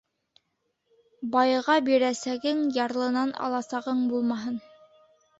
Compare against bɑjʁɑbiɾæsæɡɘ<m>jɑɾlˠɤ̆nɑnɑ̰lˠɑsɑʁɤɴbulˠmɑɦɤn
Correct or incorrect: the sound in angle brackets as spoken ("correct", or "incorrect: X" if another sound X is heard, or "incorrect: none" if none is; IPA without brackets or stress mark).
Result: incorrect: ŋ